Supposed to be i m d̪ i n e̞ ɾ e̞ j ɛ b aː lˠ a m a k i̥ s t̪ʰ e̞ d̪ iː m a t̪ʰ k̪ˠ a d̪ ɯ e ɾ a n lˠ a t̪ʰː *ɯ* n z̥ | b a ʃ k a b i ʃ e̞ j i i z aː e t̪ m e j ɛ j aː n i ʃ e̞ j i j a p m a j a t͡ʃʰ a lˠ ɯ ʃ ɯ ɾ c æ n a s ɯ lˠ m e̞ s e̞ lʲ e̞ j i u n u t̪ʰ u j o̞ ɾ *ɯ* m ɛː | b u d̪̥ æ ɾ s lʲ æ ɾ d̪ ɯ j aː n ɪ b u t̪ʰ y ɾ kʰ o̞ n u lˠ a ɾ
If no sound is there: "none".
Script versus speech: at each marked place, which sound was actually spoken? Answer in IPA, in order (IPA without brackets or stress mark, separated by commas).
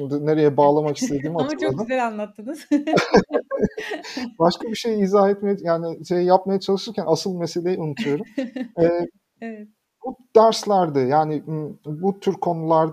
ɯ, u